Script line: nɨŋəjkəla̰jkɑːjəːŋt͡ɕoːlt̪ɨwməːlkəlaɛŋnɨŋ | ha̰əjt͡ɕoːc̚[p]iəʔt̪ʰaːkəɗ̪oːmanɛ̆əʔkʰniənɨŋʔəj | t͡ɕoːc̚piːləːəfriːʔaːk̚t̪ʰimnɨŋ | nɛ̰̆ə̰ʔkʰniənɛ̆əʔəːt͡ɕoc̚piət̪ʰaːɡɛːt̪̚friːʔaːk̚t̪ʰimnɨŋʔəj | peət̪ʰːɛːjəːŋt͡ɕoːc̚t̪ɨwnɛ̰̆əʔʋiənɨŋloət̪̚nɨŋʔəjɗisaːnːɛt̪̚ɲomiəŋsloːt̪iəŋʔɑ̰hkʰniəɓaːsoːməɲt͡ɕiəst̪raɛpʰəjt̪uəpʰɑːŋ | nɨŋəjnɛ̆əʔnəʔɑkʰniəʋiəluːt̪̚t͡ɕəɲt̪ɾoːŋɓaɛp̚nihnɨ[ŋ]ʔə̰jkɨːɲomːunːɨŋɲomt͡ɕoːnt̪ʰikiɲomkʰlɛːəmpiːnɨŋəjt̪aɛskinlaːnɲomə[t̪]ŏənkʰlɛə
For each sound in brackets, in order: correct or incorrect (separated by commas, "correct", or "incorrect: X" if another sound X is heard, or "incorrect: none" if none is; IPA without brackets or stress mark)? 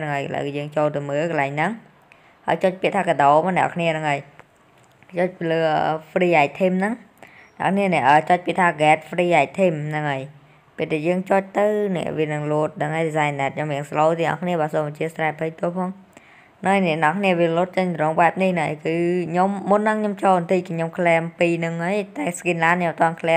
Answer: correct, correct, correct